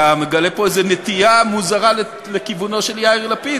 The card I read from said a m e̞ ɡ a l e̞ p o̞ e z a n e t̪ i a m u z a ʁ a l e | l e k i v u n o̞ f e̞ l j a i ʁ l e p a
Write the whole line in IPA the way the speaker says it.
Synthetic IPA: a m e̞ ɡ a l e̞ p o̞ e z e n e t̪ i a m u z a ʁ a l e | l e k i v u n o̞ ʃ e̞ l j a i ʁ l a p i